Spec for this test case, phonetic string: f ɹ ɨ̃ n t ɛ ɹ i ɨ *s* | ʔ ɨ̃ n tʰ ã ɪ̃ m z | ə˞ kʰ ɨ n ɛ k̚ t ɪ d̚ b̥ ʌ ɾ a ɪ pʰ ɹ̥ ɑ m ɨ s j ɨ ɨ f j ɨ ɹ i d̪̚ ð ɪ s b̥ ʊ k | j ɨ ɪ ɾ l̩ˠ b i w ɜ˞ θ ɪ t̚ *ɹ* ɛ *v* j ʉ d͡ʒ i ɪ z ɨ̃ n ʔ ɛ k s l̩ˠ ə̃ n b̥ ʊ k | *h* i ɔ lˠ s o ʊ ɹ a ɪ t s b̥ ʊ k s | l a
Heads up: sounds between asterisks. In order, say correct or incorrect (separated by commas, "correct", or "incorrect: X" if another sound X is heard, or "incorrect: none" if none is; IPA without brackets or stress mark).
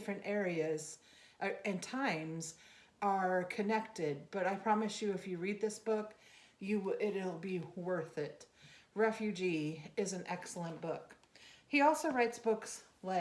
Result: incorrect: z, correct, incorrect: f, correct